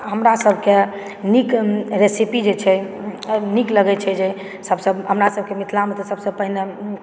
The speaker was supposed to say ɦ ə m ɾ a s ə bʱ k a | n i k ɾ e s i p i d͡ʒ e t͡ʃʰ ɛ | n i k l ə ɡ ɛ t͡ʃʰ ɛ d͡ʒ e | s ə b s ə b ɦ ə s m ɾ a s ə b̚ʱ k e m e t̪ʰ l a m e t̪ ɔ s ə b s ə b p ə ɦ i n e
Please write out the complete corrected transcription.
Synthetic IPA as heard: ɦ ə m ɾ a s ə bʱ k e | n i k ɾ e s i p i d͡ʒ e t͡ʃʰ ɛ | n i k l ə ɡ ɛ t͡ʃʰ ɛ d͡ʒ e | s ə b s ə b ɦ ə m ɾ a s ə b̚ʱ k e m i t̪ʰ l a m e t̪ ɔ s ə b s ə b p ə ɦ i n e

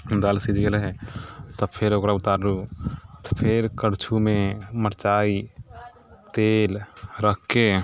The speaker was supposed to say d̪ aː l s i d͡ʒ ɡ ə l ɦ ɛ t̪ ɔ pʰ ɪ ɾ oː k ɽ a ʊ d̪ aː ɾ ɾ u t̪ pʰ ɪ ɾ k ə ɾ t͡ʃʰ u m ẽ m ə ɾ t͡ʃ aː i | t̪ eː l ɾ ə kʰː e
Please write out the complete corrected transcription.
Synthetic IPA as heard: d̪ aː l s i d͡ʒ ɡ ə l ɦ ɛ t̪ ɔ pʰ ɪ ɾ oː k ɾ a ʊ t̪ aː ɾ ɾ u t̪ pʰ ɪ ɾ k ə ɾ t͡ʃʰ u m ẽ m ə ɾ t͡ʃ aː i | t̪ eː l ɾ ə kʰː e

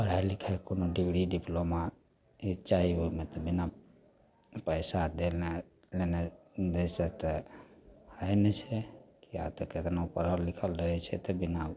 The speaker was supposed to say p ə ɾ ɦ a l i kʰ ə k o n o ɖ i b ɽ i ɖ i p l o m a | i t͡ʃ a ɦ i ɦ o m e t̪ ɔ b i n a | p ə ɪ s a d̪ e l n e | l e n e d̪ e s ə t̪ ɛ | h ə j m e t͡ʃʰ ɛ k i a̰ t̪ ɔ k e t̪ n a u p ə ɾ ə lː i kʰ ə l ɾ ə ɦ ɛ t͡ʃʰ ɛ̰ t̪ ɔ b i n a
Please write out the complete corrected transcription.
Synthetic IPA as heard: p ə ɾ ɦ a l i kʰ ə k o n o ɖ i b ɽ i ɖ i p l o m a | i t͡ʃ a ɦ i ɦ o m e t̪ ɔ b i n a | p ə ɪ s a d̪ e l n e | l e n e d̪ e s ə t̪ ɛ | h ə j n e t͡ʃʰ ɛ k i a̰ t̪ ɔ k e t̪ n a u p ə ɾ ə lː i kʰ ə l ɾ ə ɦ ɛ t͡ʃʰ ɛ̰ t̪ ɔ b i n a

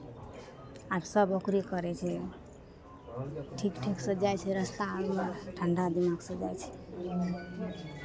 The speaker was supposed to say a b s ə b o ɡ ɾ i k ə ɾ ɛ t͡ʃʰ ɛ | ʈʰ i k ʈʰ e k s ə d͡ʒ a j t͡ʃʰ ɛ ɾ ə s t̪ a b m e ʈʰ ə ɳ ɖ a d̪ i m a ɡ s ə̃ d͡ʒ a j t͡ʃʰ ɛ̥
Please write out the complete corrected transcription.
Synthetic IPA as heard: a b s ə b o k ɾ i k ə ɾ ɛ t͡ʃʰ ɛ | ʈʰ i k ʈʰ i k s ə d͡ʒ a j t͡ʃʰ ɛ ɾ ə s t̪ a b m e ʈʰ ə ɳ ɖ a d̪ i m a ɡ s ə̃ d͡ʒ a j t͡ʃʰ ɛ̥

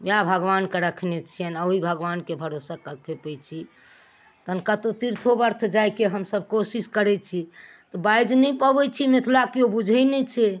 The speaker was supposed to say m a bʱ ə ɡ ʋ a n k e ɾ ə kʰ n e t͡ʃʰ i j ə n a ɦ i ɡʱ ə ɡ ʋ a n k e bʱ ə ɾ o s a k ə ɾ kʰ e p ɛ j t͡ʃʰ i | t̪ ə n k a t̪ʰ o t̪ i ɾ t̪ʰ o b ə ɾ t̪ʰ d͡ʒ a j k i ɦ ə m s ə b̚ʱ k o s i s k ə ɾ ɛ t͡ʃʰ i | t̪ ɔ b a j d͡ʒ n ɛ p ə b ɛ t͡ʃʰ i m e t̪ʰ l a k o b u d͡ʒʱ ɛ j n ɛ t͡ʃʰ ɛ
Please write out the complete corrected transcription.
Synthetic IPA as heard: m a bʱ ə ɡ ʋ a n k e ɾ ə kʰ n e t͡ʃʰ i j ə n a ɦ i bʱ ə ɡ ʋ a n k e bʱ ə ɾ o s a k ə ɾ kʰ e p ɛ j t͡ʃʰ i | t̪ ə n k a t̪ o t̪ i ɾ t̪ʰ o b ə ɾ t̪ʰ d͡ʒ a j k e ɦ ə m s ə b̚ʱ k o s i s k ə ɾ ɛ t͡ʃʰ i | t̪ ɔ b a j d͡ʒ n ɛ p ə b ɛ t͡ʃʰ i m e t̪ʰ l a k o b u d͡ʒʱ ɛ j n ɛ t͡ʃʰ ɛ

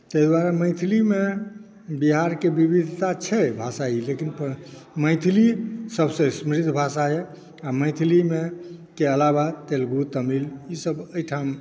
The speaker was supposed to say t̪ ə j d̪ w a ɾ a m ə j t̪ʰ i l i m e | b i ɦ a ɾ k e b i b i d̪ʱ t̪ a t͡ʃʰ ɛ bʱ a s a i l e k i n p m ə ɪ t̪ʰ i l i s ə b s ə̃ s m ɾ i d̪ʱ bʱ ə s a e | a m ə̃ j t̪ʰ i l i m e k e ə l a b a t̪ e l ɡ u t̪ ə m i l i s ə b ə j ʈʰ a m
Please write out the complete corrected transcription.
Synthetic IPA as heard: t̪ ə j d̪ w a ɾ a m ə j t̪ʰ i l i m e | b i ɦ a ɾ k e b i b i d̪ʱ t̪ a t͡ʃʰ ɛ bʱ a s a i l e k i n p m ə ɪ t̪ʰ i l i s ə b s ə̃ s m ɾ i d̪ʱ bʱ a s a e | a m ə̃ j t̪ʰ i l i m e k e ə l a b a t̪ e l ɡ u t̪ ə m i l i s ə b ə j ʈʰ a m

